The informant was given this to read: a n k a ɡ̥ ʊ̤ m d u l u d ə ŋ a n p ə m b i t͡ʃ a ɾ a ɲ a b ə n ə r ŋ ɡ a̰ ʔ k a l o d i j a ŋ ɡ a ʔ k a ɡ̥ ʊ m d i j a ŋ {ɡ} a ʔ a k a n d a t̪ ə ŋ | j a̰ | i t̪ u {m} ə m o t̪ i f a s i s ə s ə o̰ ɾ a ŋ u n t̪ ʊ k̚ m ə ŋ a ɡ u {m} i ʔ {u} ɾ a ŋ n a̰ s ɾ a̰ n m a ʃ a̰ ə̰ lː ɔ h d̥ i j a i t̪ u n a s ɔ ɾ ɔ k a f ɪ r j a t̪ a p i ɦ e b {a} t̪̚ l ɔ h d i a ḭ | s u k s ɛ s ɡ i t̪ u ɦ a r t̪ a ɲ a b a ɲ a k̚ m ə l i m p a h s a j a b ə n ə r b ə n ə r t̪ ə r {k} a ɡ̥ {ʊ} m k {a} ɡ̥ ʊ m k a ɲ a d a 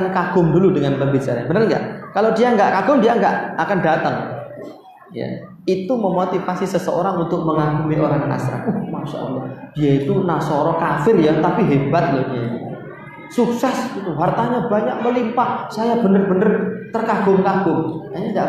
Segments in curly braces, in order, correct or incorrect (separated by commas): correct, correct, correct, incorrect, correct, correct, correct, correct